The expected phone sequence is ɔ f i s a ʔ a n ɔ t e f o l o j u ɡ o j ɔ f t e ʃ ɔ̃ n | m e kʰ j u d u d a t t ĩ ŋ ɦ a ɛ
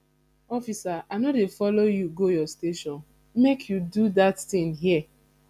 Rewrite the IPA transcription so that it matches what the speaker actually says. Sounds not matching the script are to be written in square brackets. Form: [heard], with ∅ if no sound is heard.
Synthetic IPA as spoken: ɔ f i s a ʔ a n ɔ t e f [ɔ] l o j u ɡ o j ɔ [s] t e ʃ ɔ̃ n | m e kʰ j u d u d a t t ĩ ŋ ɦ [i] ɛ